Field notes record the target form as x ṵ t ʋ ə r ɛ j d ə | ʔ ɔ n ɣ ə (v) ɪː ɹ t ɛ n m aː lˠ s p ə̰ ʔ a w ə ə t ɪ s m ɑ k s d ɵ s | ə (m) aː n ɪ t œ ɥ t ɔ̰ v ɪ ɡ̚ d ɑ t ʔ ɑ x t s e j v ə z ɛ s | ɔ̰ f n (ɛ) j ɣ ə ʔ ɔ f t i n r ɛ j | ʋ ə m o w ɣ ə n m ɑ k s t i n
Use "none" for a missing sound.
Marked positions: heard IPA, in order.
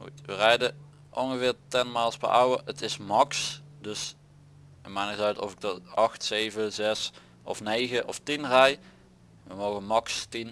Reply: v, m, e

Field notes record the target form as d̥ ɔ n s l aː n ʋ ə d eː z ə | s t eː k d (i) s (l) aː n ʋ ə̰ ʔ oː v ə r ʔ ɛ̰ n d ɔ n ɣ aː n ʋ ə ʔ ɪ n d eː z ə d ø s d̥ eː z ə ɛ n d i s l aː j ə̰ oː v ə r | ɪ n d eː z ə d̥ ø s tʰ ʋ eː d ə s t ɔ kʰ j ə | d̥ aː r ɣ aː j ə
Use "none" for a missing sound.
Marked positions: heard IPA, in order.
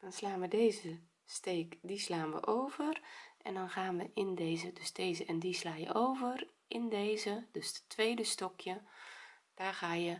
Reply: i, l

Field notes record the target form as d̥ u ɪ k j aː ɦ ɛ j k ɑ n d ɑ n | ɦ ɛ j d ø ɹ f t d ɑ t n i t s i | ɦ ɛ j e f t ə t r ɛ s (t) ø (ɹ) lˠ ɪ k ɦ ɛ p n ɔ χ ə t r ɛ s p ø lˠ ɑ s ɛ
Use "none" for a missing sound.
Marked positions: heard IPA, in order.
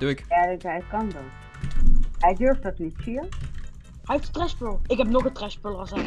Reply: p, none

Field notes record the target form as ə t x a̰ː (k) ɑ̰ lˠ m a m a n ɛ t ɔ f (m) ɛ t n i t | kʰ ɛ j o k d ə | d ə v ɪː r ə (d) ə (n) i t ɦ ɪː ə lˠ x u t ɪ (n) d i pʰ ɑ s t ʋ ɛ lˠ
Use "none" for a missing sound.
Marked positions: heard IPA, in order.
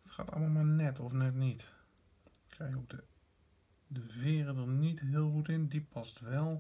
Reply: t, n, d, n, n

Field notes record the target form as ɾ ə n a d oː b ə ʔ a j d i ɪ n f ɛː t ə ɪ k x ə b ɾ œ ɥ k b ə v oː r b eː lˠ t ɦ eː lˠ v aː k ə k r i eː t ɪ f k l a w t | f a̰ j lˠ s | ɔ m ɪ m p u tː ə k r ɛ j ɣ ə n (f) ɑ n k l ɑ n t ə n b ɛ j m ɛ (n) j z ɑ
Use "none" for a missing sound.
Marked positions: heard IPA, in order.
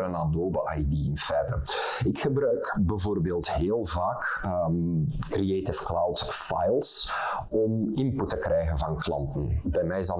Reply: v, none

